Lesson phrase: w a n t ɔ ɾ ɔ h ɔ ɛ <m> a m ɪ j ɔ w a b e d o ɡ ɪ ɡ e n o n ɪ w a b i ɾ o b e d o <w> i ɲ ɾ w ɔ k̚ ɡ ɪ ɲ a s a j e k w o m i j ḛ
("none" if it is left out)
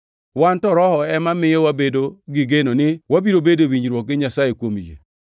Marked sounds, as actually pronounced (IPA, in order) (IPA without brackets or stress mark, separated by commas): m, w